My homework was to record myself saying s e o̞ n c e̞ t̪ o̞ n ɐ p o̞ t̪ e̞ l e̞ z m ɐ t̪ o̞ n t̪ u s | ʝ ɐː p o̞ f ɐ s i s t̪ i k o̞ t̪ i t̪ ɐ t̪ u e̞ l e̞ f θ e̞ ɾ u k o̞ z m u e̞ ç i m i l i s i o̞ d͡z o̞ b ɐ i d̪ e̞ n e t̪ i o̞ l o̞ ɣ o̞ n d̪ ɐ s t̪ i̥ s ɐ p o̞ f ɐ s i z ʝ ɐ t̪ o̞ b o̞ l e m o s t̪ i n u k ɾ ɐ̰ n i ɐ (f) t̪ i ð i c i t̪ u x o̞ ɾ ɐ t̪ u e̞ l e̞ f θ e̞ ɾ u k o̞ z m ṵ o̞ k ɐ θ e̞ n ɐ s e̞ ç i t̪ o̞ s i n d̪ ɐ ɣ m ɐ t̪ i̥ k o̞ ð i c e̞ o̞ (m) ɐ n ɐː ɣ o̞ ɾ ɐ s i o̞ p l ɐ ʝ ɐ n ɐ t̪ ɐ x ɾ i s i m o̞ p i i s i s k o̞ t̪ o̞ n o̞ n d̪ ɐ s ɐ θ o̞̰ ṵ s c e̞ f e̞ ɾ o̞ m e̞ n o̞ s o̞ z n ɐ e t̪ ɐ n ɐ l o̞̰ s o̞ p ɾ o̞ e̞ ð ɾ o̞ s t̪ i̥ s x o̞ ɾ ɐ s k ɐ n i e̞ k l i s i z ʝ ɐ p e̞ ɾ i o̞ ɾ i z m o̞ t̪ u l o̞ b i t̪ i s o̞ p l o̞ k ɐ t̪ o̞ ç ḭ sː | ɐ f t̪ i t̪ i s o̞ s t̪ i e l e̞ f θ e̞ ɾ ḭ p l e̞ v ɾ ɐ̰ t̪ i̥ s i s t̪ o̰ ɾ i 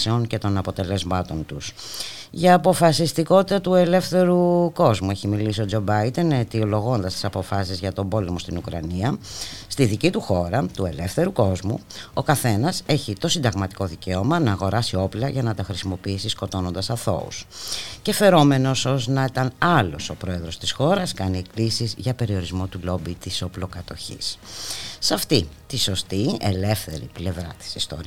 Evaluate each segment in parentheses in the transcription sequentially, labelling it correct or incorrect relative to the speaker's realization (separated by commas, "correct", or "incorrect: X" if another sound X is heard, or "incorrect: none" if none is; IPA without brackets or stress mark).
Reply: incorrect: s, correct